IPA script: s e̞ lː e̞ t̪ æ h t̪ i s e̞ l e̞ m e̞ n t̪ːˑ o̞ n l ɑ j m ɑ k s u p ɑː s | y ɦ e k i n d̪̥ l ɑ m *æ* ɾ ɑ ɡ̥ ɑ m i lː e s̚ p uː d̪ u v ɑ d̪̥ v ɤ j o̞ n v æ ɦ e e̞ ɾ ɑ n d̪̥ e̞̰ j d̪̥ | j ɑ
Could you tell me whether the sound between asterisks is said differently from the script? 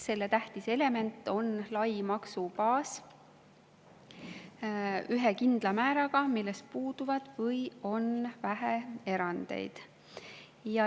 yes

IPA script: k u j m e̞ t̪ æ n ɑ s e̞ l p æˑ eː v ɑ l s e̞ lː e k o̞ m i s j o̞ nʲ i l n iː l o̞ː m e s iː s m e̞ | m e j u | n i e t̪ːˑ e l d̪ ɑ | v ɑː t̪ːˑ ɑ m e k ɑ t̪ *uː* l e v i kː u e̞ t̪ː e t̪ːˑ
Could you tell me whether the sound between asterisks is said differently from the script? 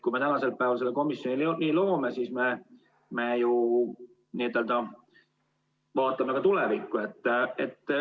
yes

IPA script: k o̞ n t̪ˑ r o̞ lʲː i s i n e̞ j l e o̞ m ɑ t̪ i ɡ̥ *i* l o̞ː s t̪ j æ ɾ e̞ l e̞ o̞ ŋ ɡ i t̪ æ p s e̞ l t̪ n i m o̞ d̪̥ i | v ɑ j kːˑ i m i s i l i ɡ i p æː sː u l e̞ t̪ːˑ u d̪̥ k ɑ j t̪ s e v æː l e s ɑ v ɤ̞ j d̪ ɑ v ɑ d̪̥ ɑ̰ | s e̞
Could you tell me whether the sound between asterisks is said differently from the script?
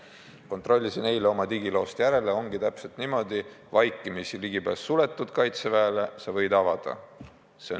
no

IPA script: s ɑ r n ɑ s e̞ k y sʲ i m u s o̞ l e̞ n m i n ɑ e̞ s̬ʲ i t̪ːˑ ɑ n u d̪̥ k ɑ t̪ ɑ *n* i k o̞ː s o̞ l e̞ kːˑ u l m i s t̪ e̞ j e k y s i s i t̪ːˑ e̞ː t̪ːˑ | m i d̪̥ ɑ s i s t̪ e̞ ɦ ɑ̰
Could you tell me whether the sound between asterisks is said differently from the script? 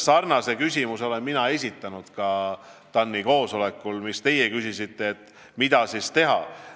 yes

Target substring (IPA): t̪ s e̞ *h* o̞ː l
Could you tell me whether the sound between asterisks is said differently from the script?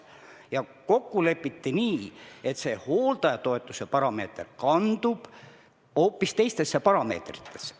no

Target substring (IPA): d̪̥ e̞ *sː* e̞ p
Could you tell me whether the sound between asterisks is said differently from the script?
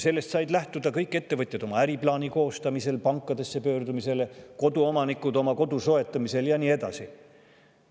no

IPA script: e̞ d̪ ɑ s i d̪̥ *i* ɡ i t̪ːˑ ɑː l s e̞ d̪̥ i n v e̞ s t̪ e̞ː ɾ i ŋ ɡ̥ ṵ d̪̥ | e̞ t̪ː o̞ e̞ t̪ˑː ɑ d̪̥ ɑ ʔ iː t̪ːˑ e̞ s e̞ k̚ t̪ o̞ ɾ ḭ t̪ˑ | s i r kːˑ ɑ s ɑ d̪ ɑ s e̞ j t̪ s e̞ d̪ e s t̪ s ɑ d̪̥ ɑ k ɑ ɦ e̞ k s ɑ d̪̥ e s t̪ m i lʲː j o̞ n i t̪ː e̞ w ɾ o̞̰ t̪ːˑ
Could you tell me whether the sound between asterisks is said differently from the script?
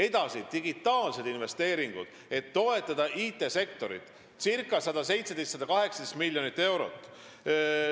no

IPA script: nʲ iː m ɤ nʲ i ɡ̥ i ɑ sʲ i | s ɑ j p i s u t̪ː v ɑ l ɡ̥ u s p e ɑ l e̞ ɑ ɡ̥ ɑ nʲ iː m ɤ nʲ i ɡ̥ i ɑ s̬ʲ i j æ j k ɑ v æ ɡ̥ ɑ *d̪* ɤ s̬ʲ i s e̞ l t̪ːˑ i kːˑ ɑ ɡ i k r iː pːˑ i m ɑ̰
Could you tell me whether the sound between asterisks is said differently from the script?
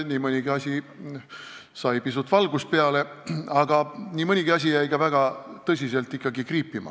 yes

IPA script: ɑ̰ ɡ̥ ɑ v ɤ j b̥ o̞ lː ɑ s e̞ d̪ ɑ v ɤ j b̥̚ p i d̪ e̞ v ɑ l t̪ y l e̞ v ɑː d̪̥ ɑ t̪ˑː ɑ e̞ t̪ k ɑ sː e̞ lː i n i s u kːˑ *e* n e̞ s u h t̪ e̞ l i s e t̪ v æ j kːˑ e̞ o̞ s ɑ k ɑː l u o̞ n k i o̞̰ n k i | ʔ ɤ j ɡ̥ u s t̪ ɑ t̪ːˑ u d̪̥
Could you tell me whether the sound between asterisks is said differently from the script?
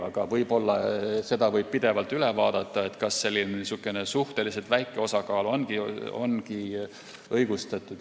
no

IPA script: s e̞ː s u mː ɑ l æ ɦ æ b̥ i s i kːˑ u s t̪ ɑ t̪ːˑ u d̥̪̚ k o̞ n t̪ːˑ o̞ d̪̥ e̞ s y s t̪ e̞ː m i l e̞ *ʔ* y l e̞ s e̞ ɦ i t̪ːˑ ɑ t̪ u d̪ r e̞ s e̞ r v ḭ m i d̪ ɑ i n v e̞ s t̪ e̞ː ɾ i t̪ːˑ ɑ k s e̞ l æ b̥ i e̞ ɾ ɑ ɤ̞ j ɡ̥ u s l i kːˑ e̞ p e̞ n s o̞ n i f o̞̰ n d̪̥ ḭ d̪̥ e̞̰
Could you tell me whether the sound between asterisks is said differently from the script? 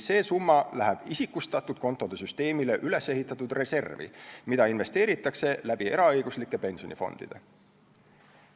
no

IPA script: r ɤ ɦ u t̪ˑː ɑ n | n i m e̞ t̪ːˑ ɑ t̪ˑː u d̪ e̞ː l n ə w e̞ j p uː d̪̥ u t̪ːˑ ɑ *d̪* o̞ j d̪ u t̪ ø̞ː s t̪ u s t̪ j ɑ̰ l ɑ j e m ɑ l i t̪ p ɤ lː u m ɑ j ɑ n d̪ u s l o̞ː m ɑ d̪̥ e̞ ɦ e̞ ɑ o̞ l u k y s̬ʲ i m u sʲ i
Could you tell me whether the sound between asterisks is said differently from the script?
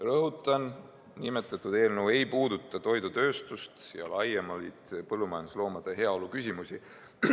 yes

